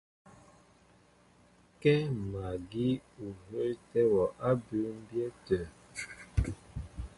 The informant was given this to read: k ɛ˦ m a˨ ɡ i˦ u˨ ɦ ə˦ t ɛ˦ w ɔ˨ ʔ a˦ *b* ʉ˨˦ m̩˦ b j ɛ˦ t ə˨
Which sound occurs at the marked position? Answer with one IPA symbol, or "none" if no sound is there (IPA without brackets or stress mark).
b